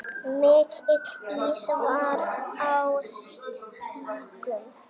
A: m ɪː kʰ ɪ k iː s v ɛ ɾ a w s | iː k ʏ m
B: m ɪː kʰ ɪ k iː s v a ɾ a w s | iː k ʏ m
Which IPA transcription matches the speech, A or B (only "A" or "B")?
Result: B